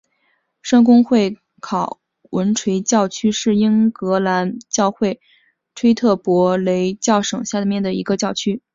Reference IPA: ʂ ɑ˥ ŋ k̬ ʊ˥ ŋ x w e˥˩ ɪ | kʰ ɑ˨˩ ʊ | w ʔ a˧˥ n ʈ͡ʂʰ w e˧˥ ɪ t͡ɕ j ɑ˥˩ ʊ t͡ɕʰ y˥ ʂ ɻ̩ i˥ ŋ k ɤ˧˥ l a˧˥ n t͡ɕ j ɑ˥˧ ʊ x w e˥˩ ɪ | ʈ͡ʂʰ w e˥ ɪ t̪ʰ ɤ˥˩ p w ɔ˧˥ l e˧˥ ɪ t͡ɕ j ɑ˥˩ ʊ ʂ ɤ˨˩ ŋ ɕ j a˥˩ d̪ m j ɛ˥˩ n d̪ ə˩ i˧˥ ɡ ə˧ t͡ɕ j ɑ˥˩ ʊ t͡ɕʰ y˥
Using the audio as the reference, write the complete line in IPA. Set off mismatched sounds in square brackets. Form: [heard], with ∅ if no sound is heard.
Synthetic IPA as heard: ʂ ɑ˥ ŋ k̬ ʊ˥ ŋ x w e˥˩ ɪ | kʰ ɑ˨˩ ʊ | w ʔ [ə˧˥] n ʈ͡ʂʰ w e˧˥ ɪ t͡ɕ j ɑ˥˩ ʊ t͡ɕʰ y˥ ʂ ɻ̩ i˥ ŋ k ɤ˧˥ l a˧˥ n t͡ɕ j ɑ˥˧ ʊ x w e˥˩ ɪ | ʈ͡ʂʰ w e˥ ɪ t̪ʰ ɤ˥˩ p w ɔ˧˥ l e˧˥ ɪ t͡ɕ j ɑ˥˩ ʊ ʂ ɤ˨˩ ŋ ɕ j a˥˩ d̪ m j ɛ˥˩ n d̪ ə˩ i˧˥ ɡ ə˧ t͡ɕ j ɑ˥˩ ʊ t͡ɕʰ y˥

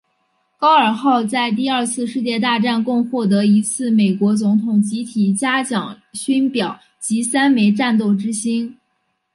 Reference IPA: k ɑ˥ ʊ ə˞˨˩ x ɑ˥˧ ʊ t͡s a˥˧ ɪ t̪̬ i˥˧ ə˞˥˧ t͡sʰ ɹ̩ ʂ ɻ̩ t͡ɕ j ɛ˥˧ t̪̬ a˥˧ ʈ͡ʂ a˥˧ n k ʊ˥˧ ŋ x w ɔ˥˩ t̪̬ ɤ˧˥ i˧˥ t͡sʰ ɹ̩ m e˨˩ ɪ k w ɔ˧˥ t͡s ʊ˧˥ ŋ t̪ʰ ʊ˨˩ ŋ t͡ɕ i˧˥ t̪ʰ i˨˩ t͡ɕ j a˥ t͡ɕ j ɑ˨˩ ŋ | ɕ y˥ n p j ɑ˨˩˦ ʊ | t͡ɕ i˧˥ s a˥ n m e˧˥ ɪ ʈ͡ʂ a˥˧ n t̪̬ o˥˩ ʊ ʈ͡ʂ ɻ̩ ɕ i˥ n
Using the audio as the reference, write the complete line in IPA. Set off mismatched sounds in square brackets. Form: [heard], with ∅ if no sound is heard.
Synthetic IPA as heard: k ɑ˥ ʊ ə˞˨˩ x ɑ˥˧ ʊ t͡s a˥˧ ɪ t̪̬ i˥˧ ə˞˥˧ t͡sʰ ɹ̩ ʂ ɻ̩ t͡ɕ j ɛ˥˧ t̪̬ a˥˧ ʈ͡ʂ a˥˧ n k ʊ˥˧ ŋ x w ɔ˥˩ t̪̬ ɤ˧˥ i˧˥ t͡sʰ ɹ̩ m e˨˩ ɪ k w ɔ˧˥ t͡s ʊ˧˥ ŋ t̪ʰ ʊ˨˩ ŋ t͡ɕ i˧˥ t̪ʰ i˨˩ t͡ɕ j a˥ t͡ɕ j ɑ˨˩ ŋ | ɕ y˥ n p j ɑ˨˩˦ ʊ | t͡ɕ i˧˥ s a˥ n m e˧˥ ɪ ʈ͡ʂ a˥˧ n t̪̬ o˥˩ ʊ ʈ͡ʂ ɻ̩ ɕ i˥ n

